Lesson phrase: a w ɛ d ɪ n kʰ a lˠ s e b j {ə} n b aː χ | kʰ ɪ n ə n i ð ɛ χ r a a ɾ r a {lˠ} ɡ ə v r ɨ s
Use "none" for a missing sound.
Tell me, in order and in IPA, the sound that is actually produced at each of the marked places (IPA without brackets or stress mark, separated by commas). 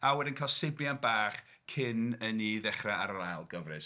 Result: a, lˠ